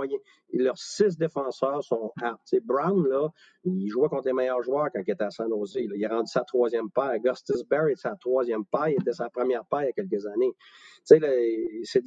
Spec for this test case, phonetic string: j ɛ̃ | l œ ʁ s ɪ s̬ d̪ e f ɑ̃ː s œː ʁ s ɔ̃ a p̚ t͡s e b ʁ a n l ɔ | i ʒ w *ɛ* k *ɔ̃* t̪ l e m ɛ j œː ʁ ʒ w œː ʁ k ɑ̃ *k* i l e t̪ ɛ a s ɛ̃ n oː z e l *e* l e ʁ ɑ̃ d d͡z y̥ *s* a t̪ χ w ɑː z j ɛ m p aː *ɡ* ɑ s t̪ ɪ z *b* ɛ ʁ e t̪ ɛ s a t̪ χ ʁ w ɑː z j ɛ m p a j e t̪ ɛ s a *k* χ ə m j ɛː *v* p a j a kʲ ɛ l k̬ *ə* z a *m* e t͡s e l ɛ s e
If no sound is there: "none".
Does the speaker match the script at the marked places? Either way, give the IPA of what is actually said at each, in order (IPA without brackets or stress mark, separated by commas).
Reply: ɛ, ɔ̃, k, i, s, ɡ, b, p, ʁ, ə, n